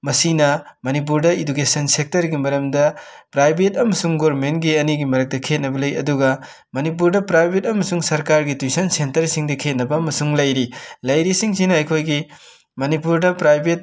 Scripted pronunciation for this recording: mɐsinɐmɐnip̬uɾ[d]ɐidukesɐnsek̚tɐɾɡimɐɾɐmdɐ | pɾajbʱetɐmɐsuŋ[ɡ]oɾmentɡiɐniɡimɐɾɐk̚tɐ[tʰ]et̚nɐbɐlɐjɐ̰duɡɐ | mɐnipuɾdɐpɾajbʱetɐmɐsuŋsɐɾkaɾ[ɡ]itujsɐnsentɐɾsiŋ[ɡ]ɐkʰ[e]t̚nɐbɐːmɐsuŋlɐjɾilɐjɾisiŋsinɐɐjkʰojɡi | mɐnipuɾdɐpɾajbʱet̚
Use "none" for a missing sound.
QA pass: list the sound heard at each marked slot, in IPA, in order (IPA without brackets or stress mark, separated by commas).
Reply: d, ɡ, kʰ, ɡ, d, e